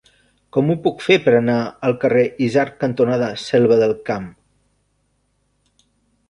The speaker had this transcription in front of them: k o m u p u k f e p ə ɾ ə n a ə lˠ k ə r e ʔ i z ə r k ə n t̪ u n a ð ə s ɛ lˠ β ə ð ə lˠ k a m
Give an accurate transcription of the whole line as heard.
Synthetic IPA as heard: k ɔ m u p u k f e p ə ɾ ə n a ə lˠ k ə r e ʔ i z a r k ə n t̪ u n a ð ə s ɛ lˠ β ə ð ə lˠ k a m